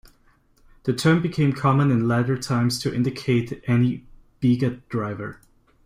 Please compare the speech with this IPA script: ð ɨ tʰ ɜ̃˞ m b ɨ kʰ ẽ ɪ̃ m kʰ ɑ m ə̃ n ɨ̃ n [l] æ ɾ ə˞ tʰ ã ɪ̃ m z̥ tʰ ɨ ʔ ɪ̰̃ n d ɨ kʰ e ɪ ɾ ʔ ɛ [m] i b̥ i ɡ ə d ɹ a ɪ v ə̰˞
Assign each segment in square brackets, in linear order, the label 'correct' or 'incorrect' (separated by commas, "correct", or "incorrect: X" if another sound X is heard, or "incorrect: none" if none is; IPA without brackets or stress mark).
correct, incorrect: n